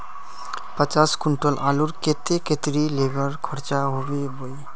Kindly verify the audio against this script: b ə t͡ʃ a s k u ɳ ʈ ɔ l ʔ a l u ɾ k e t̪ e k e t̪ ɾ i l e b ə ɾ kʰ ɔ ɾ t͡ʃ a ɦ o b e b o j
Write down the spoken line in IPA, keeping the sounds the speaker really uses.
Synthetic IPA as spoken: p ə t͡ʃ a s k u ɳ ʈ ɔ l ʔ a l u ɾ k e t̪ e k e t̪ ɾ i l e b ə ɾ kʰ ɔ ɾ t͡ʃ a ɦ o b e b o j